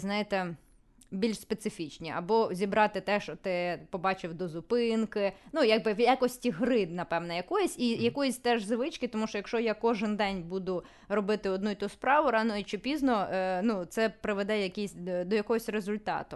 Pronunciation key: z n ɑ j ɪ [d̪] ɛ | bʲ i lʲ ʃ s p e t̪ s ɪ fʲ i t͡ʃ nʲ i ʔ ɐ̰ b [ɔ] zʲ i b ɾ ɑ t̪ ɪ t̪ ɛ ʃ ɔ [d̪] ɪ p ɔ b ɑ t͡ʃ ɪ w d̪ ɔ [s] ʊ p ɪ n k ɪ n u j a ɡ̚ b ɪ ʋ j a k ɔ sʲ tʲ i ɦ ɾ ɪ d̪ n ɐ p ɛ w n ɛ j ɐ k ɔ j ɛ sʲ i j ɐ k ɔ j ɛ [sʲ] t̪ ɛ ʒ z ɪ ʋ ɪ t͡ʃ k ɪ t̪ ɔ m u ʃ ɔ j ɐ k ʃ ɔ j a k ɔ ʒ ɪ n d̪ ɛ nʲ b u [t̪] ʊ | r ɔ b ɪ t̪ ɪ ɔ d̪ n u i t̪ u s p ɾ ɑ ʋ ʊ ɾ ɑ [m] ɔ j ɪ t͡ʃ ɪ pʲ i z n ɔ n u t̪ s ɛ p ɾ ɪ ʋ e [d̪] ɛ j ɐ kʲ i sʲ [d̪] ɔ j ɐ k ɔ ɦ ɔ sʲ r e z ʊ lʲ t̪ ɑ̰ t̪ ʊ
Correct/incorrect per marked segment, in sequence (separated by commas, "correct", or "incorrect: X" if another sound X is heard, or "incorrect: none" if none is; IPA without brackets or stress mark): incorrect: t̪, correct, incorrect: t̪, incorrect: z, correct, incorrect: d̪, incorrect: n, correct, correct